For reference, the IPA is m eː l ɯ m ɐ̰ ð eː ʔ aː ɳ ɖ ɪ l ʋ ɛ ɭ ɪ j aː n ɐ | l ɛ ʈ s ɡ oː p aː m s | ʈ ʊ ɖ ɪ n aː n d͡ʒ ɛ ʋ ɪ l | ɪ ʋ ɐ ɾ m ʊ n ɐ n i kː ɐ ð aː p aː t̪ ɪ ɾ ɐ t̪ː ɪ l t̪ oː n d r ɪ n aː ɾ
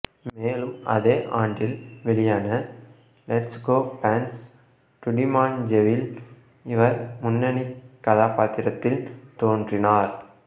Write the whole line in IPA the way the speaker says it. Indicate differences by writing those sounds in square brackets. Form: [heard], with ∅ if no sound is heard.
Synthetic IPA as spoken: m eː l ɯ m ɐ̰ ð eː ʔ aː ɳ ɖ ɪ l ʋ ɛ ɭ ɪ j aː n ɐ | l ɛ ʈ s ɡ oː p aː [n] s | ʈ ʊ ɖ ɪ [m] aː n d͡ʒ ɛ ʋ ɪ l | ɪ ʋ ɐ ɾ m ʊ [nː] ɐ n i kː ɐ ð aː p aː t̪ ɪ ɾ ɐ t̪ː ɪ l t̪ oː n d r ɪ n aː ɾ